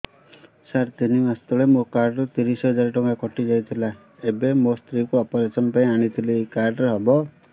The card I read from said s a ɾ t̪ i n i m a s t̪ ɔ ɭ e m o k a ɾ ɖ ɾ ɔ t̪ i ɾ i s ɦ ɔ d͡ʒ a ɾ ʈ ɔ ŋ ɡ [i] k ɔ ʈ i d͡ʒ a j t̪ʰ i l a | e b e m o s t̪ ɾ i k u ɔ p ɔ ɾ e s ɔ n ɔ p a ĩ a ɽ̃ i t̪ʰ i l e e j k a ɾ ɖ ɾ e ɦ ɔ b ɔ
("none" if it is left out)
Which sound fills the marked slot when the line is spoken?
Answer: a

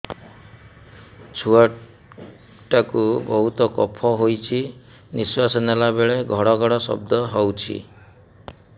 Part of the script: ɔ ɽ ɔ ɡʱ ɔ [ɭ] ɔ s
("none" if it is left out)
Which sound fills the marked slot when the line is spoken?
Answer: ɽ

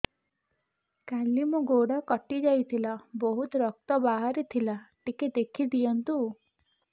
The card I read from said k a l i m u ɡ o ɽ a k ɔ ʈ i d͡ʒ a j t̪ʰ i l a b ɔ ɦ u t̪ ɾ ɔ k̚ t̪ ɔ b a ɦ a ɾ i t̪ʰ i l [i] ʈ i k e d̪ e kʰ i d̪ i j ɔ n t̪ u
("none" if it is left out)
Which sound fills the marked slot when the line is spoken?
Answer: a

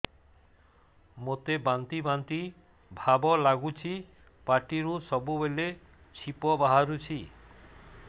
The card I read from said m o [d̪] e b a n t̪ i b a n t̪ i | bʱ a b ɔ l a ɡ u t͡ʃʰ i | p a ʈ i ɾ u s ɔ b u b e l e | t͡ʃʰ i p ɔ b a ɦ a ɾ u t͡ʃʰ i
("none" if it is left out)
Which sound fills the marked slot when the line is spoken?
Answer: t̪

